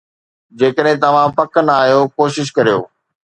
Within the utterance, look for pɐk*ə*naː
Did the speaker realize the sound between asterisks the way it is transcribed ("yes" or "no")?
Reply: yes